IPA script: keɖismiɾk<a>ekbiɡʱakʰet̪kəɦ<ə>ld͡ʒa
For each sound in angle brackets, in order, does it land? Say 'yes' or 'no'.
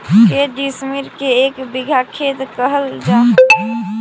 no, yes

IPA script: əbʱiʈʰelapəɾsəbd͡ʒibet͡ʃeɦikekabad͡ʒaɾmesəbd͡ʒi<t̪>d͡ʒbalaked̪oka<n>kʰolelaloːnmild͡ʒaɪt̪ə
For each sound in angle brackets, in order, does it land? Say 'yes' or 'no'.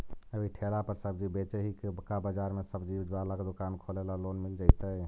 no, yes

